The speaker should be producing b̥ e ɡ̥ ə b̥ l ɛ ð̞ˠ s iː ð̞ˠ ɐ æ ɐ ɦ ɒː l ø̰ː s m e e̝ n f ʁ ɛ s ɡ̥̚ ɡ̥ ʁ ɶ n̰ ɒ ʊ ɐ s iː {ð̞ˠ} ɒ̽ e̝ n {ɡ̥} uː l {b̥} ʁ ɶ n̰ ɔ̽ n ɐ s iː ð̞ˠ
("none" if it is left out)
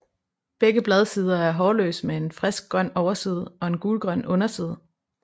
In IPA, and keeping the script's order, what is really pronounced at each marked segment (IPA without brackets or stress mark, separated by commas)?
ð̞ˠ, ɡ̥, ɡ̥